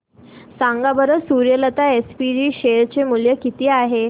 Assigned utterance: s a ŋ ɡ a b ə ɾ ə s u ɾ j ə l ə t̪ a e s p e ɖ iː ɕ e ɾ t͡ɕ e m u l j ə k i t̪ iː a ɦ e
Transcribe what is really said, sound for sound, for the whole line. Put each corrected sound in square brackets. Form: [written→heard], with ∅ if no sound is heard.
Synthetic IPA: s a ŋ ɡ a b ə ɾ ə s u ɾ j ə l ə t̪ a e s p [e→i] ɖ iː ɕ e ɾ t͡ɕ e m u l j ə k i t̪ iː a ɦ e